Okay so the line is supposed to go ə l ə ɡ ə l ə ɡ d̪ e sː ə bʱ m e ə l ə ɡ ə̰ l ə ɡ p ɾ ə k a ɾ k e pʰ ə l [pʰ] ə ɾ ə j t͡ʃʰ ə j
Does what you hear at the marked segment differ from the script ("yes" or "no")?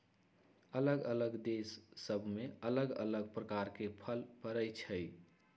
yes